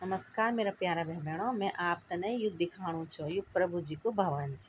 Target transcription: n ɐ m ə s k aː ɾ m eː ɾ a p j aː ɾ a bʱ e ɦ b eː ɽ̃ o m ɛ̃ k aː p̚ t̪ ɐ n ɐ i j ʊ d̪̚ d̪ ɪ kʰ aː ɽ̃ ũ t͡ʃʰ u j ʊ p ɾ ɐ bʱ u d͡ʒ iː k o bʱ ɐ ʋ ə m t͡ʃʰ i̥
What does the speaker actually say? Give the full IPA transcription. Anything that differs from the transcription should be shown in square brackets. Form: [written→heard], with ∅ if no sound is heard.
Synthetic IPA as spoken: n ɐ m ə s k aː ɾ m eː ɾ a p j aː ɾ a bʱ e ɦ b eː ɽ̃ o m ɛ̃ [k→ʔ] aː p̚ t̪ ɐ n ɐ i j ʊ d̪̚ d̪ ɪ kʰ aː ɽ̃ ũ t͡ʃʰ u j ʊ p ɾ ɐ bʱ u d͡ʒ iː k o bʱ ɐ ʋ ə [m→n] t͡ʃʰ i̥

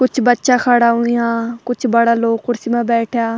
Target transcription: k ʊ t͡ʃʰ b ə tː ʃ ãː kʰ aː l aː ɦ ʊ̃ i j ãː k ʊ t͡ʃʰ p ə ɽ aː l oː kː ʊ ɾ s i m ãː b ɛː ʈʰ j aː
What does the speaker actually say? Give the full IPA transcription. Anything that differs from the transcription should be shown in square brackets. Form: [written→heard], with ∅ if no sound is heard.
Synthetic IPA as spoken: k ʊ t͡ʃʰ b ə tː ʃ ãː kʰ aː [l→ɽ] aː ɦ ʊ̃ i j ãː k ʊ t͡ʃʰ [p→b] ə ɽ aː l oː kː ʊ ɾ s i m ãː b ɛː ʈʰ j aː

